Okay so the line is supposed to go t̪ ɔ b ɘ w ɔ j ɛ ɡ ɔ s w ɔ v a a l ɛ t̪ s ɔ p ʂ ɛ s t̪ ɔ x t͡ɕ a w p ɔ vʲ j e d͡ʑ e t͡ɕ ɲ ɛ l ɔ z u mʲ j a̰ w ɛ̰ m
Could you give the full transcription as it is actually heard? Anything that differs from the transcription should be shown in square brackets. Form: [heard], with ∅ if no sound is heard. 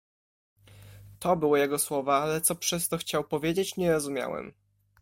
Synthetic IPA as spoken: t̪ ɔ b ɘ w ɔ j ɛ ɡ ɔ s w ɔ v a a l ɛ t̪ s ɔ p ʂ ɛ s t̪ ɔ x t͡ɕ a w p ɔ vʲ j e d͡ʑ e t͡ɕ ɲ ɛ [ɾ] ɔ z u mʲ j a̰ w ɛ̰ m